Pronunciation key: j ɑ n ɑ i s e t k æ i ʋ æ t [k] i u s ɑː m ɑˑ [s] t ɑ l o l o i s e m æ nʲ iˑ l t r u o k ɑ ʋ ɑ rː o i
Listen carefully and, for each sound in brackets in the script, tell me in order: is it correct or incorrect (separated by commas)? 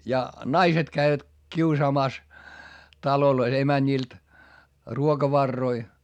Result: correct, correct